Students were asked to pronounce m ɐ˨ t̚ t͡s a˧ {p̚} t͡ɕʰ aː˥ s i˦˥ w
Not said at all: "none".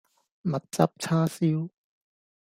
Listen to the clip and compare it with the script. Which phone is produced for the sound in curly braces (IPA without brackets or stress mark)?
p̚